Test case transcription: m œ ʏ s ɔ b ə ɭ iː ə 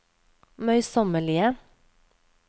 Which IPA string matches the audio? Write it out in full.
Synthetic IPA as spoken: m œ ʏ s ɔ m ə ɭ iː ə